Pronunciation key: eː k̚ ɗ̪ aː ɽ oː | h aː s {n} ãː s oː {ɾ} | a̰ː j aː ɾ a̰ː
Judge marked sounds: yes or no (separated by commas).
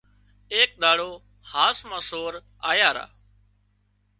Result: no, yes